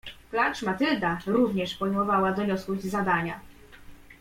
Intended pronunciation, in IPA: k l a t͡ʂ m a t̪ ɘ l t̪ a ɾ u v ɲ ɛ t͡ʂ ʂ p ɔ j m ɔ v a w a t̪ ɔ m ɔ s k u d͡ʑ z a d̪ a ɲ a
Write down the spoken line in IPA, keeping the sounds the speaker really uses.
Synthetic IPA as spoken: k l a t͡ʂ m a t̪ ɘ l d̪ a ɾ u v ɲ ɛ ʂ p ɔ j m ɔ v a w a d̪ ɔ ɲ ɔ s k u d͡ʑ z a d̪ a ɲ a